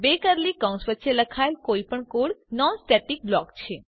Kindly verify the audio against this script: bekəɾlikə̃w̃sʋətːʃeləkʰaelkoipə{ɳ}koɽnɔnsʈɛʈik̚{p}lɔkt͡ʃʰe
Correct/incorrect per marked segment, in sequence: correct, incorrect: b

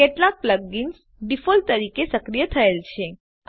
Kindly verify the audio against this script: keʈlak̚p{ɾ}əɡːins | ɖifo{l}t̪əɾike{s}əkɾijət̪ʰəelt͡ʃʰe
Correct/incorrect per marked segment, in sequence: incorrect: l, correct, correct

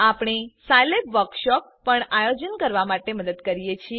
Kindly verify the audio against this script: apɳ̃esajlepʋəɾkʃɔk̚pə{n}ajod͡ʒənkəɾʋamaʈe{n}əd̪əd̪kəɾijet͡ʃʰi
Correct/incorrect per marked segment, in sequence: incorrect: ɳ, incorrect: m

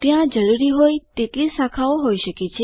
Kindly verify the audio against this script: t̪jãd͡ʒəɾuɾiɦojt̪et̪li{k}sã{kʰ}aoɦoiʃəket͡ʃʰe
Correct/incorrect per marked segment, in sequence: incorrect: none, correct

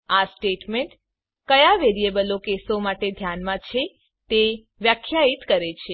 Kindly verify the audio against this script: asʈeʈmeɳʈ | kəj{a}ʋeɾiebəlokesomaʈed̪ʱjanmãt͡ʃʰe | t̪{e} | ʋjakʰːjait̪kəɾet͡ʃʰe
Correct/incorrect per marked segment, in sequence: correct, correct

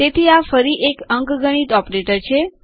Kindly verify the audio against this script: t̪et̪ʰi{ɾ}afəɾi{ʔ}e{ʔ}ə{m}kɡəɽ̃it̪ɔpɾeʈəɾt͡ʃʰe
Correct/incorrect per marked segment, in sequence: incorrect: none, correct, incorrect: k, incorrect: ŋ

